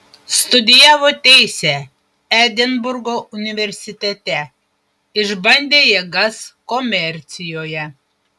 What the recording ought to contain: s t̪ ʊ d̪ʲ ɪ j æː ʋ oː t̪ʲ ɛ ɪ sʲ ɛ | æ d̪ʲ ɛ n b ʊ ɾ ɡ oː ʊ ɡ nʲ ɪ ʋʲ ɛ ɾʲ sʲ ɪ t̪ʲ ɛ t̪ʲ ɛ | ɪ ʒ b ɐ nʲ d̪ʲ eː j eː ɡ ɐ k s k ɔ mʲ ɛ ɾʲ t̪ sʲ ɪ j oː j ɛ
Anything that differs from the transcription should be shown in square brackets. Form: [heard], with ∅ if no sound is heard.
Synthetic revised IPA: s t̪ ʊ d̪ʲ ɪ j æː ʋ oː t̪ʲ ɛ ɪ sʲ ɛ | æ d̪ʲ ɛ n b ʊ ɾ ɡ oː ʊ [∅] nʲ ɪ ʋʲ ɛ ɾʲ sʲ ɪ t̪ʲ ɛ t̪ʲ ɛ | ɪ ʒ b ɐ nʲ d̪ʲ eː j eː ɡ ɐ [∅] s k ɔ mʲ ɛ ɾʲ t̪ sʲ ɪ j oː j ɛ

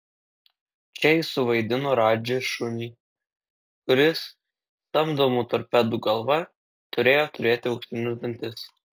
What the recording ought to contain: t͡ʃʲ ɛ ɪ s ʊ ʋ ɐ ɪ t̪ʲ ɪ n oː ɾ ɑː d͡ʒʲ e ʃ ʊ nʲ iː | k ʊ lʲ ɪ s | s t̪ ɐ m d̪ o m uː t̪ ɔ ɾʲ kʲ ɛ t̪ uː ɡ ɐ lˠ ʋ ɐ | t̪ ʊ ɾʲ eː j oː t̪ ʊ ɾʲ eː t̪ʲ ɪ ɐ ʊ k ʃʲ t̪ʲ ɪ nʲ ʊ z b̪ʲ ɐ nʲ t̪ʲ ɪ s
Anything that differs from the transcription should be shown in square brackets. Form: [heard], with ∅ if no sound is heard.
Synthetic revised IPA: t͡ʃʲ ɛ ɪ s ʊ ʋ ɐ ɪ [d̪ʲ] ɪ n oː ɾ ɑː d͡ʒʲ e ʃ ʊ nʲ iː | k ʊ [ɾʲ] ɪ s | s t̪ ɐ m d̪ o m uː t̪ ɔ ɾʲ [pʲ] ɛ [d̪] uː ɡ ɐ lˠ ʋ ɐ | t̪ ʊ ɾʲ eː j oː t̪ ʊ ɾʲ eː t̪ʲ ɪ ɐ ʊ k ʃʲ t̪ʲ ɪ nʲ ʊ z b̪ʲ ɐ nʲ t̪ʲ ɪ s

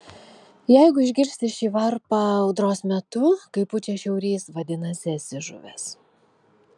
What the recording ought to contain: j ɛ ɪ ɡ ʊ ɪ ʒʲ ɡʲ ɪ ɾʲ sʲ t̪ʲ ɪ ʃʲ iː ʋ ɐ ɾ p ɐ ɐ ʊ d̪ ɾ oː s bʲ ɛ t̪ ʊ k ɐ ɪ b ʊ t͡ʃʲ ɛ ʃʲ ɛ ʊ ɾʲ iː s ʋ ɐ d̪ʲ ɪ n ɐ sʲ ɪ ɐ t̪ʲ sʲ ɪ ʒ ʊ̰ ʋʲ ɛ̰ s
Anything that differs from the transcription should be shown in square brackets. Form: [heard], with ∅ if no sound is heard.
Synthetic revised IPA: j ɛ ɪ ɡ ʊ ɪ ʒʲ ɡʲ ɪ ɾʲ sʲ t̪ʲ ɪ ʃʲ iː ʋ ɐ ɾ p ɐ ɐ ʊ d̪ ɾ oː s [mʲ] ɛ t̪ ʊ k ɐ ɪ [p] ʊ t͡ʃʲ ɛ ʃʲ ɛ ʊ ɾʲ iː s ʋ ɐ d̪ʲ ɪ n ɐ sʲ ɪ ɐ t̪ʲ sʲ ɪ ʒ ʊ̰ ʋʲ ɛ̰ s

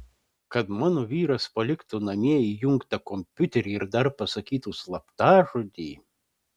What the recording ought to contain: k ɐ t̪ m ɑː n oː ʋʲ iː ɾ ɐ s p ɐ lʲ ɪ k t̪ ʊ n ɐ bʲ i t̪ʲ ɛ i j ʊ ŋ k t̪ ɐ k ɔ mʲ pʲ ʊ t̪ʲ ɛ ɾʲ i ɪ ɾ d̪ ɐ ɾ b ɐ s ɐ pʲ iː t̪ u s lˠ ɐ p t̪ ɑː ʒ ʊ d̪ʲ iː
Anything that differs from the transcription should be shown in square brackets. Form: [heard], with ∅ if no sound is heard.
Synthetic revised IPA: k ɐ t̪ m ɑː n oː ʋʲ iː ɾ ɐ s p ɐ lʲ ɪ k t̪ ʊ n ɐ [mʲ] i [∅] ɛ i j ʊ ŋ k t̪ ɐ k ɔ mʲ pʲ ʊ t̪ʲ ɛ ɾʲ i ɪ ɾ d̪ ɐ ɾ [p] ɐ s ɐ [kʲ] iː t̪ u s lˠ ɐ p t̪ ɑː ʒ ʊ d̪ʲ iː

